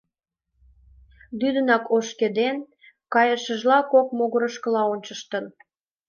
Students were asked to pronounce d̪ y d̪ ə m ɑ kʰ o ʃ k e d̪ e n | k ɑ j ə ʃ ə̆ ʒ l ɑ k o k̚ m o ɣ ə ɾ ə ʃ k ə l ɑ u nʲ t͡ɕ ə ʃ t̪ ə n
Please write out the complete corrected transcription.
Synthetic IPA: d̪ y d̪ ə n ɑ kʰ o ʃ k e d̪ e n | k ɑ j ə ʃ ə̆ ʒ l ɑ k o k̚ m o ɣ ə ɾ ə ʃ k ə l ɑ o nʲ t͡ɕ ə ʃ t̪ ə n